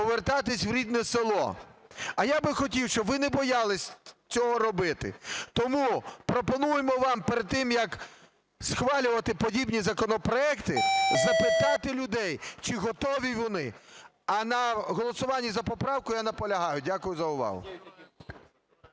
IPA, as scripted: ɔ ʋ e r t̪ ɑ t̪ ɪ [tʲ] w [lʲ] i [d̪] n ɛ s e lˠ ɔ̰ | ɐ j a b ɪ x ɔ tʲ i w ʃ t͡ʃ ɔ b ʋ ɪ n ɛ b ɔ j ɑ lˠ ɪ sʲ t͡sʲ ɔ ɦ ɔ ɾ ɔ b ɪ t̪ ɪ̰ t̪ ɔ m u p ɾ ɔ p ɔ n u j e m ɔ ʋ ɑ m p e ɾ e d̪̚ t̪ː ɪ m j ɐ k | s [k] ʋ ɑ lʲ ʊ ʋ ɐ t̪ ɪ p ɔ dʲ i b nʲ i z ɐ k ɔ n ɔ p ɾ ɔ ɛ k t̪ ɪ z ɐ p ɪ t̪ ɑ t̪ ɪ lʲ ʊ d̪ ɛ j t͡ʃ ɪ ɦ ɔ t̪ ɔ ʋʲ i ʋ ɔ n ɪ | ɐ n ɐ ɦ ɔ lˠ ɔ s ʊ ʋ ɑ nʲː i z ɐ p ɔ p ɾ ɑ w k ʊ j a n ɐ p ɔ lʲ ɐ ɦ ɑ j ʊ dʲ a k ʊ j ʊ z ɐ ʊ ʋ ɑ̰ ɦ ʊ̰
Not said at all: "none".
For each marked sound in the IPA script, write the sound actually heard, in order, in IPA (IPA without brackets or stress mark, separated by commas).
sʲ, ɾʲ, d̪, x